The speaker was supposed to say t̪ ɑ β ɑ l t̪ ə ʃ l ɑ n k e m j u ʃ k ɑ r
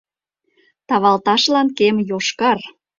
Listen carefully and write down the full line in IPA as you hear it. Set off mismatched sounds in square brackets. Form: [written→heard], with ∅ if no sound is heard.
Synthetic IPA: t̪ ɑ β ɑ l t̪ [ə→ɑ] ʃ l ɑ n k e m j [u→o] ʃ k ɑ r